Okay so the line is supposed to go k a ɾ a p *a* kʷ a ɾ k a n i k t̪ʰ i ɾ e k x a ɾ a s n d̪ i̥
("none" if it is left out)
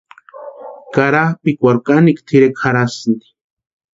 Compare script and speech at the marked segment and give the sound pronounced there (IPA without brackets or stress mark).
i